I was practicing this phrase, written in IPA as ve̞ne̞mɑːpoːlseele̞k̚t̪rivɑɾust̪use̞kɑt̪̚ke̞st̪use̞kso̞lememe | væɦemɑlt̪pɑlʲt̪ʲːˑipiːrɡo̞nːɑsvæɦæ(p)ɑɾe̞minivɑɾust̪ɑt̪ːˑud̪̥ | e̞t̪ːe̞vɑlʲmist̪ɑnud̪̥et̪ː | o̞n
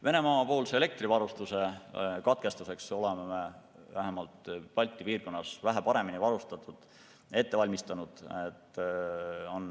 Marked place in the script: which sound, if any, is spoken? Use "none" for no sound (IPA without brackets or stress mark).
p